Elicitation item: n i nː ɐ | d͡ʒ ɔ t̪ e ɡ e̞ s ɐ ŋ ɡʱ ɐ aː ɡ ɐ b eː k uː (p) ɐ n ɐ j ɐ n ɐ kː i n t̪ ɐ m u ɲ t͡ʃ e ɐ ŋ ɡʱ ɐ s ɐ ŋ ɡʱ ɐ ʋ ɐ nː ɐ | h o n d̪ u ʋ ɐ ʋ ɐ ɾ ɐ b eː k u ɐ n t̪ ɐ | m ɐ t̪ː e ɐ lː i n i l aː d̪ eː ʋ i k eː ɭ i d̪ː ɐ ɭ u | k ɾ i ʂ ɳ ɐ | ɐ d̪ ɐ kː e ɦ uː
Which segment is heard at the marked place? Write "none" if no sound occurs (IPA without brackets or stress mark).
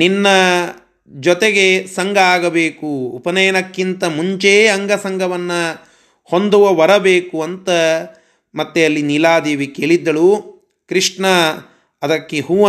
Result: p